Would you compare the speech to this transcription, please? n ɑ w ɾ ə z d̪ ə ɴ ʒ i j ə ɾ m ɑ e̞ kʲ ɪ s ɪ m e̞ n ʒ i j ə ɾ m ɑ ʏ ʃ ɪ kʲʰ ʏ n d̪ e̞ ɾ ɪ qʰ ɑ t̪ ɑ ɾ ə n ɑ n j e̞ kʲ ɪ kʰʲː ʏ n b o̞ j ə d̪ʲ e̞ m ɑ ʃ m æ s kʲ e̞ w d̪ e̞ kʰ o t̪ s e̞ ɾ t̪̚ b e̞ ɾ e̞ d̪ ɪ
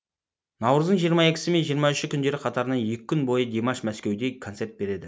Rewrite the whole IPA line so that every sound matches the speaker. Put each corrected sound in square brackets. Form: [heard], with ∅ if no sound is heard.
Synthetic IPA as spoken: n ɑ w ɾ ə z d̪ ə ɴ ʒ i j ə ɾ m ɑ e̞ kʲ ɪ s ɪ m e̞ n ʒ i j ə ɾ m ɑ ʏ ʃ ɪ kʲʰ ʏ n d̪ e̞ ɾ ɪ qʰ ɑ t̪ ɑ ɾ ə n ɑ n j e̞ kʲ ɪ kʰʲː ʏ n b o̞ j ə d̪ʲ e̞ m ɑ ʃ m æ s kʲ e̞ w d̪ e̞ kʰ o t̪ s e̞ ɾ t̪̚ b e̞ ɾ e̞ d̪ ɪ